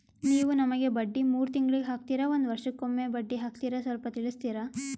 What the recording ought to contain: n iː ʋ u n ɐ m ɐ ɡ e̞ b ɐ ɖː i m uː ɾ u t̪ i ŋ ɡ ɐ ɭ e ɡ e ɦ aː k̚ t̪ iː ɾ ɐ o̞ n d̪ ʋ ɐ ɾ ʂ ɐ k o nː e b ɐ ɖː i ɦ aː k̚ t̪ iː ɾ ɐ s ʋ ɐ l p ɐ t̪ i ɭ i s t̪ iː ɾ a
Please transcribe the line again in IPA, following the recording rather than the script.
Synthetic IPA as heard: n iː ʋ u n ɐ m ɐ ɡ e̞ b ɐ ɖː i m uː ɾ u t̪ i ŋ ɡ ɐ ɭ i ɡ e ɦ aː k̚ t̪ iː ɾ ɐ o̞ n d̪ ʋ ɐ ɾ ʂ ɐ k o mː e b ɐ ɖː i ɦ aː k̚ t̪ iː ɾ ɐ s ʋ ɐ l p ɐ t̪ i ɭ i s t̪ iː ɾ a

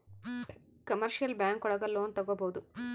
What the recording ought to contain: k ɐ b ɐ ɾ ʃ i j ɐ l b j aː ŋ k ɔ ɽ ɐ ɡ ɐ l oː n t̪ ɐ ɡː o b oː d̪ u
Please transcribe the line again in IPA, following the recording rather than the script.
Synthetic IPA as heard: k ɐ m ɐ ɾ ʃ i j ɐ l b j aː ŋ k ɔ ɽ ɐ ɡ ɐ l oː n t̪ ɐ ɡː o b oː d̪ u

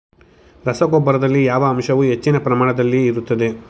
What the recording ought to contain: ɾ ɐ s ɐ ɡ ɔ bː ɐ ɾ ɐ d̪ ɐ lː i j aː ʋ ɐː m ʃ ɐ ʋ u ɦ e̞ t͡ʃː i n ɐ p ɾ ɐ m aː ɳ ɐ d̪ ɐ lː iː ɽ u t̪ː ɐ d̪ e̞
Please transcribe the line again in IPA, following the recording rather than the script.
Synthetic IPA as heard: ɾ ɐ s ɐ ɡ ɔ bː ɐ ɾ ɐ d̪ ɐ lː i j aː ʋ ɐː m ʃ ɐ ʋ u ɦ e̞ t͡ʃː i n ɐ p ɾ ɐ m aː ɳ ɐ d̪ ɐ lː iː ɾ u t̪ː ɐ d̪ e̞

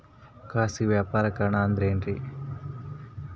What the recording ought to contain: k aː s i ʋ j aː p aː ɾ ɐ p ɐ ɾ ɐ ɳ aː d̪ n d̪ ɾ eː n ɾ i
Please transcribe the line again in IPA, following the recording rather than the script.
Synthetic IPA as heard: k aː s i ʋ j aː p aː ɾ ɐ k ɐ ɾ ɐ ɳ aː n d̪ ɾ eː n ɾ i

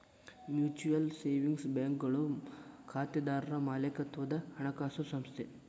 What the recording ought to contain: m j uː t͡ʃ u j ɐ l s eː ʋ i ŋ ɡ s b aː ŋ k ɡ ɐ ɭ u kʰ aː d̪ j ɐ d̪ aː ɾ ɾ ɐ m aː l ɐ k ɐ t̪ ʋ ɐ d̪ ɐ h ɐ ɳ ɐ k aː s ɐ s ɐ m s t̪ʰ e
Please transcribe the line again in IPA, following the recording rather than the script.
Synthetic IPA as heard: m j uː t͡ʃ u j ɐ l s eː ʋ i ŋ ɡ s b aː ŋ k ɡ ɐ ɭ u kʰ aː t̪ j ɐ d̪ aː ɾ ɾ ɐ m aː l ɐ k ɐ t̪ ʋ ɐ d̪ ɐ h ɐ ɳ ɐ k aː s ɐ s ɐ m s t̪ʰ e

